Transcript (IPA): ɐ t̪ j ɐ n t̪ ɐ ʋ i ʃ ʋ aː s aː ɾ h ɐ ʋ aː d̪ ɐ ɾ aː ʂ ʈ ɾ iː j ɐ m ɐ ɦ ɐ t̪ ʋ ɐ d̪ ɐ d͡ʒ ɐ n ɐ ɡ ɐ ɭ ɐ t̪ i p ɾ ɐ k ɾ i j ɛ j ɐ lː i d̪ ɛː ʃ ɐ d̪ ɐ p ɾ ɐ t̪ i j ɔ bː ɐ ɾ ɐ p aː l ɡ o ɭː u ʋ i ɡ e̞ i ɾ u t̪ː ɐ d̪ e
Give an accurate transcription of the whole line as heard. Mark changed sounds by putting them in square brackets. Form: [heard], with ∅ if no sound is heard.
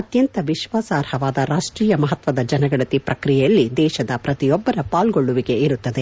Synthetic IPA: ɐ t̪ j ɐ n t̪ ɐ ʋ i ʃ ʋ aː s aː ɾ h ɐ ʋ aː d̪ ɐ ɾ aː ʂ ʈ ɾ iː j ɐ m ɐ ɦ ɐ t̪ ʋ ɐ d̪ ɐ d͡ʒ ɐ n ɐ ɡ ɐ ɭ ɐ t̪ i p ɾ ɐ k ɾ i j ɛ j ɐ lː i d̪ ɛː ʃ ɐ d̪ ɐ p ɾ ɐ t̪ i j ɔ bː ɐ ɾ ɐ p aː l ɡ o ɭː u ʋ i ɡ e̞ i ɾ u t̪ː ɐ d̪ e